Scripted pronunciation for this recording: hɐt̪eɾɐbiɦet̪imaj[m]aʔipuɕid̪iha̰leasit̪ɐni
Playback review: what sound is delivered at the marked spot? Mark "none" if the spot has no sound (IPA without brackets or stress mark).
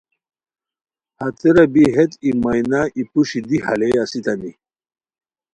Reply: n